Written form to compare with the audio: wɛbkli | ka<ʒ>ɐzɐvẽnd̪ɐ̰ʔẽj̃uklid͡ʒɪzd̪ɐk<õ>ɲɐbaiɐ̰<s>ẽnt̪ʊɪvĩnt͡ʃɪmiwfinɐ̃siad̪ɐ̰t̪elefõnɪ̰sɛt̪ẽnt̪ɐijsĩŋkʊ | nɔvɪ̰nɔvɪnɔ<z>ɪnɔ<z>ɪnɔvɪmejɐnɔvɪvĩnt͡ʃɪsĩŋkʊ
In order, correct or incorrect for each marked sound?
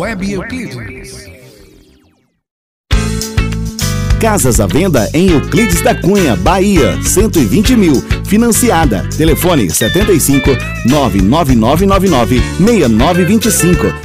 incorrect: z, incorrect: ũ, correct, incorrect: v, incorrect: v

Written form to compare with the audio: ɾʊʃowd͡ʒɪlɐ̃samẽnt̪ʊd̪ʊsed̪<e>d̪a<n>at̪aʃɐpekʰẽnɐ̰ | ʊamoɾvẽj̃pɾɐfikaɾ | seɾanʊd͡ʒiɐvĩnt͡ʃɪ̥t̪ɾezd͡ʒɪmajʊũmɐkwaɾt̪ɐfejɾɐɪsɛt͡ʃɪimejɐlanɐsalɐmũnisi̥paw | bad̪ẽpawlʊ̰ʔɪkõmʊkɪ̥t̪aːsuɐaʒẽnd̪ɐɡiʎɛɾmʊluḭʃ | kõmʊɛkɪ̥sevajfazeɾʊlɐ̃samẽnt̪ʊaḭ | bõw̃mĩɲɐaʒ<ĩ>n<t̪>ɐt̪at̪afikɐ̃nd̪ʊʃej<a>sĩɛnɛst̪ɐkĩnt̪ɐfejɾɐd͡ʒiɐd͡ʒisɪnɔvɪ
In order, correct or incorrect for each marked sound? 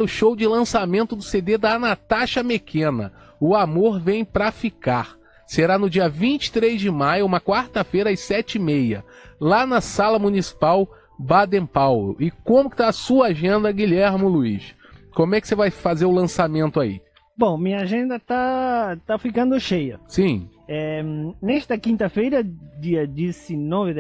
correct, correct, incorrect: ẽ, incorrect: d̪, incorrect: ɐ

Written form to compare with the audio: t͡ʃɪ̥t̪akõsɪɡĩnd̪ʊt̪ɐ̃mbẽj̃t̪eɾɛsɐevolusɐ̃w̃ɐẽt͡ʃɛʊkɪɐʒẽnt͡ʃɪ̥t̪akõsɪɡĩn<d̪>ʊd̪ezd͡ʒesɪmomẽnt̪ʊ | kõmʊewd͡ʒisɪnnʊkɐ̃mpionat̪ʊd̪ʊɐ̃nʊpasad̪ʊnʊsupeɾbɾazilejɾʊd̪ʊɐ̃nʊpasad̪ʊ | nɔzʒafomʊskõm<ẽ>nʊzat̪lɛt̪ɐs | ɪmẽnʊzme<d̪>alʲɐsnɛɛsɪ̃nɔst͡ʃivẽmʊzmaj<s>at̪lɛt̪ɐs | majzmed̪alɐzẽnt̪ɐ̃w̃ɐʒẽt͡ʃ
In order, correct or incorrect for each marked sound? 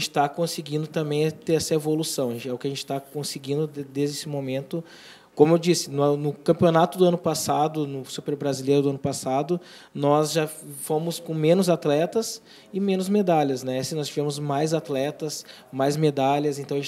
correct, correct, correct, incorrect: z

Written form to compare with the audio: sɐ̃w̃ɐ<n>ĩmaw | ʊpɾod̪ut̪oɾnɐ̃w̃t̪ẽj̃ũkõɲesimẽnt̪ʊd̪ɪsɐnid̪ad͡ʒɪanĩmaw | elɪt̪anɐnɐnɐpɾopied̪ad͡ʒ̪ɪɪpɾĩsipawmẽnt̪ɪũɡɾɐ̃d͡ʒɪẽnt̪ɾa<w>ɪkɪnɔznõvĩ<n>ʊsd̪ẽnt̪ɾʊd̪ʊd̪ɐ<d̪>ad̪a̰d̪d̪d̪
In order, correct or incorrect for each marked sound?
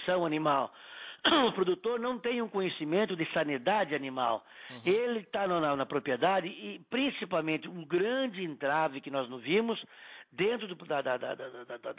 correct, incorrect: v, incorrect: m, correct

